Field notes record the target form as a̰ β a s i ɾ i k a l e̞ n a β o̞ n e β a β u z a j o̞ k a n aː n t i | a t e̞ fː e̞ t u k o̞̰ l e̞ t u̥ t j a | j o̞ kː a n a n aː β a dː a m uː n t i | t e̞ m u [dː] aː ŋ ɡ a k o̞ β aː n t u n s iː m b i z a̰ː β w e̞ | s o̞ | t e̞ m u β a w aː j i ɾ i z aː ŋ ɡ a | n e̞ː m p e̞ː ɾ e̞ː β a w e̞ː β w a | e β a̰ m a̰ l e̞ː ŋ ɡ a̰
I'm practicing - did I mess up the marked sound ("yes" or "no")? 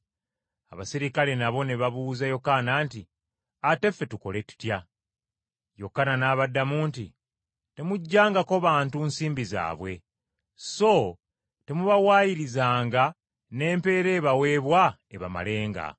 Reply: yes